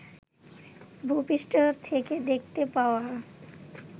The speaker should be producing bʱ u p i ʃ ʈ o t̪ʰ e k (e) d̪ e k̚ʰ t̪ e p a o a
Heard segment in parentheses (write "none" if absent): e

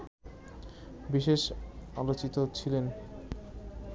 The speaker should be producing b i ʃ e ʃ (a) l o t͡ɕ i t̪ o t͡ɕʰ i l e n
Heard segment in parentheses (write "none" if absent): a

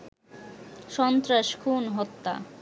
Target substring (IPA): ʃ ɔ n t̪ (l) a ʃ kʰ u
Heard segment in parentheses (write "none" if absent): ɾ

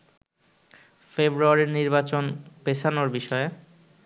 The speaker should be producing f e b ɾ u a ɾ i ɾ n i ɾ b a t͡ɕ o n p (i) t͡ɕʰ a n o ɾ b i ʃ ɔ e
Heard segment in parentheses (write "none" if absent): e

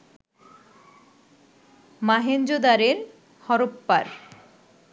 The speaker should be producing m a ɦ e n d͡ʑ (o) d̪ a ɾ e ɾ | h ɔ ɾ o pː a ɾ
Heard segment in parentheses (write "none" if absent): o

